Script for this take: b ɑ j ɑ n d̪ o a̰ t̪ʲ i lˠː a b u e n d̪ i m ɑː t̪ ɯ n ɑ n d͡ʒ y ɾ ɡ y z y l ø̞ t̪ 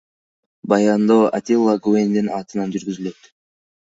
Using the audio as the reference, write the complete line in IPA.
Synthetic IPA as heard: b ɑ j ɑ n d̪ o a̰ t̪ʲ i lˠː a ɡ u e n d̪ i n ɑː t̪ ɯ n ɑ n d͡ʒ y ɾ ɡ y z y l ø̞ t̪